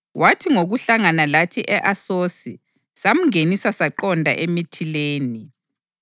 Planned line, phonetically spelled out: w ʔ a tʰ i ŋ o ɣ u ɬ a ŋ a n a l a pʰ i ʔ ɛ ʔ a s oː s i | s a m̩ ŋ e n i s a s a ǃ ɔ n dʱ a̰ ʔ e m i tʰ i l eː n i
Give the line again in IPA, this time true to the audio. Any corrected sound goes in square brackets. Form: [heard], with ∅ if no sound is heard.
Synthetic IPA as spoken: w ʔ a tʰ i ŋ o ɣ u ɬ a ŋ a n a l a [tʰ] i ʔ ɛ ʔ a s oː s i | s a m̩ ŋ e n i s a s a ǃ ɔ n dʱ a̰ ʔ e m i tʰ i l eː n i